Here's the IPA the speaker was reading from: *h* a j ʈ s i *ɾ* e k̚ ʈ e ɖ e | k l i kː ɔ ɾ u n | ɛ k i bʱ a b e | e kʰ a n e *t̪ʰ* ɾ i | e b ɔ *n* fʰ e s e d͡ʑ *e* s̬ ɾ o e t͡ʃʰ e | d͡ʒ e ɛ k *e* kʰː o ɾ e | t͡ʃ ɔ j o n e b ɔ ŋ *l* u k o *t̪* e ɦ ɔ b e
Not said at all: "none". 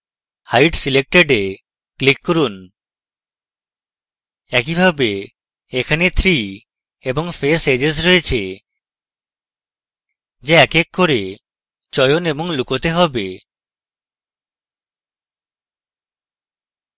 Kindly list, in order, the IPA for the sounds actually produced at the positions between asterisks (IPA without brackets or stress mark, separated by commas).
h, l, t̪ʰ, ŋ, e, e, l, t̪